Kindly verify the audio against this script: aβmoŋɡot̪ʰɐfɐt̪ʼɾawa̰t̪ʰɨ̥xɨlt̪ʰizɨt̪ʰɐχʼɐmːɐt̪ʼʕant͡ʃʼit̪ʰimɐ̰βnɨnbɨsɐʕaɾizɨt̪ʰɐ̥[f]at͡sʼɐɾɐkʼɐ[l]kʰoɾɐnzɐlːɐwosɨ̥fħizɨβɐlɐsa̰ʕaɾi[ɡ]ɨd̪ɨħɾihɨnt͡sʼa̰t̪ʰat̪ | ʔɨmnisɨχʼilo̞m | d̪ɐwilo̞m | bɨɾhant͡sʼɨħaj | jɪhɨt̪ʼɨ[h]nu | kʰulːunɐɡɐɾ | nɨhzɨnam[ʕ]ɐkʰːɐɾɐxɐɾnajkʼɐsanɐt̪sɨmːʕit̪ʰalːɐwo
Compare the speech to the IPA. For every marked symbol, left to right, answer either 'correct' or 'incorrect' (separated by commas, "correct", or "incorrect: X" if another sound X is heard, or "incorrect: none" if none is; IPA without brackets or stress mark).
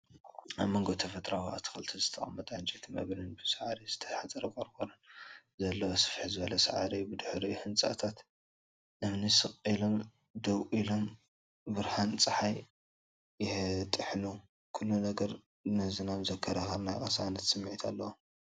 incorrect: ħ, incorrect: ɾ, incorrect: b, incorrect: ħ, incorrect: z